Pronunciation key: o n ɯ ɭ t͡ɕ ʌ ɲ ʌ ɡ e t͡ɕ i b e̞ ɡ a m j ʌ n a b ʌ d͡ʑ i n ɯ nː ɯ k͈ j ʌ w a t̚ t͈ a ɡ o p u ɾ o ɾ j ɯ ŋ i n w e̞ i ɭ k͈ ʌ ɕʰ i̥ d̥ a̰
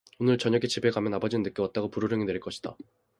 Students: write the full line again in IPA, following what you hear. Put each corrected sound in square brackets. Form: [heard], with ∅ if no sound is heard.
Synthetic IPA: o n ɯ ɭ t͡ɕ ʌ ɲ ʌ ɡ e t͡ɕ i b e̞ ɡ a m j ʌ n a b ʌ d͡ʑ i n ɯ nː ɯ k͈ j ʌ w a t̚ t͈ a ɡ o p u ɾ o ɾ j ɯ ŋ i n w e̞ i ɭ k͈ ʌ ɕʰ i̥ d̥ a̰